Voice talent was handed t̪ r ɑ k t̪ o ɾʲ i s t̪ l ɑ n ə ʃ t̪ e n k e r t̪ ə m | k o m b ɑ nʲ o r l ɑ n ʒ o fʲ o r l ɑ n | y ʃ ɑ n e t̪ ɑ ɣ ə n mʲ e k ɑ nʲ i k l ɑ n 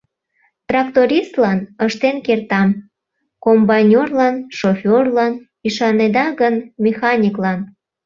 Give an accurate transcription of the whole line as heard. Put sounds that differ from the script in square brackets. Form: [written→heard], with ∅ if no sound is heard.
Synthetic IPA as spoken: t̪ r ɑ k t̪ o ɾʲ i s t̪ l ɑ n ə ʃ t̪ e n k e r t̪ [ə→ɑ] m | k o m b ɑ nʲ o r l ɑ n [ʒ→ʃ] o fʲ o r l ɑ n | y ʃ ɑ n e [t̪→d̪] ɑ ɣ ə n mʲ e [k→x] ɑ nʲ i k l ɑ n